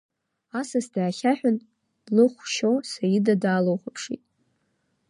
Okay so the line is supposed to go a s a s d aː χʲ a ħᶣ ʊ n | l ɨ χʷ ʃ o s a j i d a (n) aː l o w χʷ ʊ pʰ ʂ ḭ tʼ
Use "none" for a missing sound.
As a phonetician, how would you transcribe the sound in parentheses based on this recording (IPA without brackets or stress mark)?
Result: d